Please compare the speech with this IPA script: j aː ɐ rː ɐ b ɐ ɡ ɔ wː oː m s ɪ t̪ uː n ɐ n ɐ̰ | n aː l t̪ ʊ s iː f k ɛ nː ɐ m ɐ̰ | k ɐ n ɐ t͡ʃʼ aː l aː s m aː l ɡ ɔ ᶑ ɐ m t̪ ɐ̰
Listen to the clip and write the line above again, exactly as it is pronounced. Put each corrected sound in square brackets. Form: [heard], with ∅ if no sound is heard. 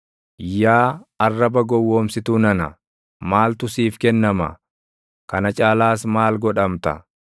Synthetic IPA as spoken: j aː ɐ rː ɐ b ɐ ɡ ɔ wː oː m s ɪ t̪ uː n ɐ n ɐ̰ | [m] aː l t̪ ʊ s iː f k ɛ nː ɐ m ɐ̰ | k ɐ n ɐ t͡ʃʼ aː l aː s m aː l ɡ ɔ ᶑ ɐ m t̪ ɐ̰